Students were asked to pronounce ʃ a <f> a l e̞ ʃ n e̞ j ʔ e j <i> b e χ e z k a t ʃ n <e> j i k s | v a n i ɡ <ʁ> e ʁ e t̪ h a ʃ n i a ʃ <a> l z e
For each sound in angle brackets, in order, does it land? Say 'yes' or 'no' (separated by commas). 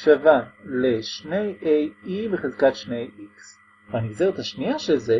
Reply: no, yes, yes, no, no